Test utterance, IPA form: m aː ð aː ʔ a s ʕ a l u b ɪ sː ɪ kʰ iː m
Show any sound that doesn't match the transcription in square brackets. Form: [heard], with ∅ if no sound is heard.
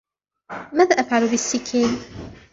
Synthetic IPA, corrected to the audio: m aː ð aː ʔ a [f] ʕ a l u b ɪ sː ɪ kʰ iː [n]